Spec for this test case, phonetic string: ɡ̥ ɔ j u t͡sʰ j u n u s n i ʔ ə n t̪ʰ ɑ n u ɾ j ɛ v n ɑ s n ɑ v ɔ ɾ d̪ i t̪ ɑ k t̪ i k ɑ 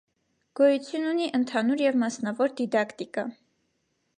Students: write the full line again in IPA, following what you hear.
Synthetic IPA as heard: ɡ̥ ɔ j u t͡sʰ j u n u n i ʔ ə n t̪ʰ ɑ n u ɾ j ɛ v m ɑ s n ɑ v ɔ ɾ d̪ i d̪ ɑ k t̪ i k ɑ